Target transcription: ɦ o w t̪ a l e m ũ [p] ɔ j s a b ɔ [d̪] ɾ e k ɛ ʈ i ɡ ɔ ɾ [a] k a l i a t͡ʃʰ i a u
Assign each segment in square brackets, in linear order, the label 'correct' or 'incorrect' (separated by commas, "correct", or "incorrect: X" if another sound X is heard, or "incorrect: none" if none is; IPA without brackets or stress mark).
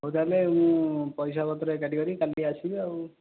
correct, incorrect: t̪, incorrect: i